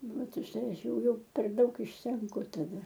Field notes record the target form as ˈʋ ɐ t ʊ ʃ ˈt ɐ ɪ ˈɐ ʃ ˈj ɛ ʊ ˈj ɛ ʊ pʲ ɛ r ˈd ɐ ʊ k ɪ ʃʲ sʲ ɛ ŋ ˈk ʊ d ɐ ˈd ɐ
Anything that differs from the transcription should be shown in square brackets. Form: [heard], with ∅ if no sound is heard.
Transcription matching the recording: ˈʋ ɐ t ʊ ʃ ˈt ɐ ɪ ˈɐ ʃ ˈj ɛ ʊ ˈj ɛ ʊ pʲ ɛ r ˈd ɐ ʊ k ɪ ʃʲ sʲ ɛ ŋ ˈk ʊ [t] ɐ ˈd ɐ